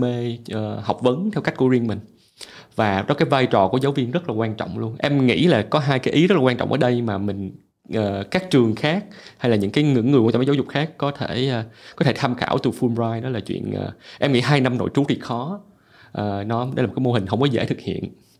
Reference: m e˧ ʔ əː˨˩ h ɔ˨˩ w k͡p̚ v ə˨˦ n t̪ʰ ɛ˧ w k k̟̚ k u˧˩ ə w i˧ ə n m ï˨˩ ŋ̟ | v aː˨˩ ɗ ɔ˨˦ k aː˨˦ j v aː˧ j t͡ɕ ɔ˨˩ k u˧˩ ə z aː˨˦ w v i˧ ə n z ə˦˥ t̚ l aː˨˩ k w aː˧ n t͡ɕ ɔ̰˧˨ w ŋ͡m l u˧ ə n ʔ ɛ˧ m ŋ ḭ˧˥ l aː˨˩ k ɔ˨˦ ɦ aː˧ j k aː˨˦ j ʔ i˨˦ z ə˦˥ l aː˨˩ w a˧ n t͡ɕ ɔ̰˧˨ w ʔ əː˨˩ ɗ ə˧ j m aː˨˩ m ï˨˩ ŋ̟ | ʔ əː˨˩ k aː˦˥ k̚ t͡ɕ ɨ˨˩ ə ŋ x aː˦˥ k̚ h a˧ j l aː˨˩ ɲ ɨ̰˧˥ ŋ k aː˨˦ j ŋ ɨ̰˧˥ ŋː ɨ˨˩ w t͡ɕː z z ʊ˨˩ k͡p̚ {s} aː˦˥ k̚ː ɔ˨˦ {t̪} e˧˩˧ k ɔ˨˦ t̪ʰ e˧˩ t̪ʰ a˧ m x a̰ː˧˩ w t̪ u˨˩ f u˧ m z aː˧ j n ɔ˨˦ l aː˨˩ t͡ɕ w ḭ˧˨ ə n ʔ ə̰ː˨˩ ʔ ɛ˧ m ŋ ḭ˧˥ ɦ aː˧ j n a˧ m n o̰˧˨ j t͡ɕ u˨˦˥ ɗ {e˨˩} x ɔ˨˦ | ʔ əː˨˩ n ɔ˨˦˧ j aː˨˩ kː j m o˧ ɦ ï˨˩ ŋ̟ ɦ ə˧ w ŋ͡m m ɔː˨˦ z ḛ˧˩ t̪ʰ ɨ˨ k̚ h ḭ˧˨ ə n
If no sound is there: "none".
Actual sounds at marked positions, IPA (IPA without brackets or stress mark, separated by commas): x, t̪ʰ, i˨˩